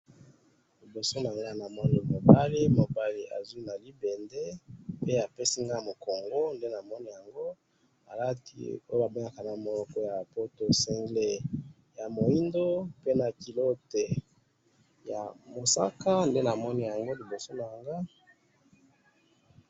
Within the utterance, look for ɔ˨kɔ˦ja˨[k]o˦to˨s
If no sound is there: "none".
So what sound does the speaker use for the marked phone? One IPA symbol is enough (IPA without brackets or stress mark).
p